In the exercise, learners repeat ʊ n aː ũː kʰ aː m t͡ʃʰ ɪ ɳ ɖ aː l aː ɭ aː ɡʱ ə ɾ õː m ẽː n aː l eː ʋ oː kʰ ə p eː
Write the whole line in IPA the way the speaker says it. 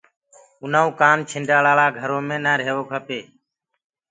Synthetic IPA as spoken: ʊ n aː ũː k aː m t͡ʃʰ ɪ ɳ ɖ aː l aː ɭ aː ɡʱ ə ɾ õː m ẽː n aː ɾ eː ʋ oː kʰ ə p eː